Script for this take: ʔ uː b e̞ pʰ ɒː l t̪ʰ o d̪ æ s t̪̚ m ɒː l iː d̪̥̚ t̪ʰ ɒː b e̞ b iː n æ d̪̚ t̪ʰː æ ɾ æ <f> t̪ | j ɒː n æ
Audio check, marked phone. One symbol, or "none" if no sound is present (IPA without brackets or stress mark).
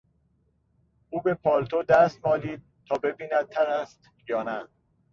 s